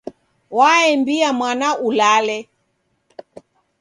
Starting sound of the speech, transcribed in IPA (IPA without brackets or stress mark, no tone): w